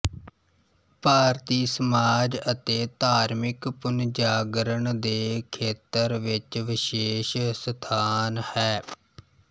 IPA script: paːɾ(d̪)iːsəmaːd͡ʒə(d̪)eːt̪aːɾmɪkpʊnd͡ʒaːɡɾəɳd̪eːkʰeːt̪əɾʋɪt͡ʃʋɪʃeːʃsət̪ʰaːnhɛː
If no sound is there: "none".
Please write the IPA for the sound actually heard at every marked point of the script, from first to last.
t̪, t̪

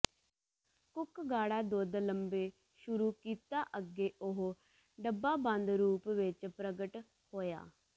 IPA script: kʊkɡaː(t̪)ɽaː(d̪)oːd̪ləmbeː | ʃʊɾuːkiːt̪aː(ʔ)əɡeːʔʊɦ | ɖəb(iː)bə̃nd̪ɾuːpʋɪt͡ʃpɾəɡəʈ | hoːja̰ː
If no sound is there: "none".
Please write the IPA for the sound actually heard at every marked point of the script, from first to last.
none, d̪, ʔ, aː

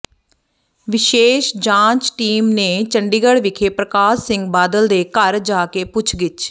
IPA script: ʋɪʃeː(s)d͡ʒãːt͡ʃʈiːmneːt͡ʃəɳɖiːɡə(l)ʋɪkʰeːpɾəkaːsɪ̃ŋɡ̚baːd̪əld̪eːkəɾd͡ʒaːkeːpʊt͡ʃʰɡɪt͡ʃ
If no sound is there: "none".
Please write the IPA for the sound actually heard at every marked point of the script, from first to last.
ʃ, ɽ

